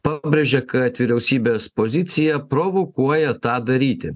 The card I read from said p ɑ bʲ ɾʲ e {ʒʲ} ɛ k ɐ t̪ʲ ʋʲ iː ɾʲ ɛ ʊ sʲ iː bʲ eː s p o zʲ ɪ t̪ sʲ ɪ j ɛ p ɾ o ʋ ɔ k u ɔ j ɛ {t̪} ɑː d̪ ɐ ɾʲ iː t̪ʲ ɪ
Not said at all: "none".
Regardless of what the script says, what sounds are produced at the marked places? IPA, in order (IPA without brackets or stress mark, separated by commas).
ʒʲ, t̪